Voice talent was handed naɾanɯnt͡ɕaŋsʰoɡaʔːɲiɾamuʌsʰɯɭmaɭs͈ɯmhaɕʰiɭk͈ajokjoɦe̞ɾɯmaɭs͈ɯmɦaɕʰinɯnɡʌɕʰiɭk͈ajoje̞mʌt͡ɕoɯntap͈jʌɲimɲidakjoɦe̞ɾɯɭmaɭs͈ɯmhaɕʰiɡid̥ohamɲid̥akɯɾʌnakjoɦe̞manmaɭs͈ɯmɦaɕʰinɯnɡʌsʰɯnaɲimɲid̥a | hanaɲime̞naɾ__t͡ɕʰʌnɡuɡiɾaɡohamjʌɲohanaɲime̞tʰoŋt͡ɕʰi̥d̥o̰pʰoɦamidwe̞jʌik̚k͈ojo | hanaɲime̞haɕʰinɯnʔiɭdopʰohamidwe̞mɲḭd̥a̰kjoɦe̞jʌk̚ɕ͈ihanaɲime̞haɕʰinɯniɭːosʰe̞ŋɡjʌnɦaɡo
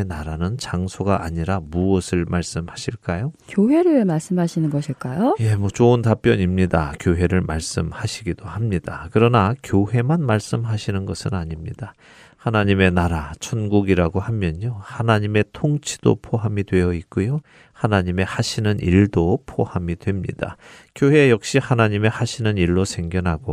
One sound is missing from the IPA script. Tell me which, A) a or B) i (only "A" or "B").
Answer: A